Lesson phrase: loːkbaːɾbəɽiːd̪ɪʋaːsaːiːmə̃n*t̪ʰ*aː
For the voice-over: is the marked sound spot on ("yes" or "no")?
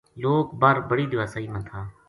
yes